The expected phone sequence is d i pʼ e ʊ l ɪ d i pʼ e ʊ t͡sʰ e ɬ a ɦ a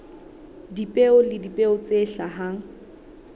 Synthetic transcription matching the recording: d i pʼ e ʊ l ɪ d i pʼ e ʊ t͡s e ɬ a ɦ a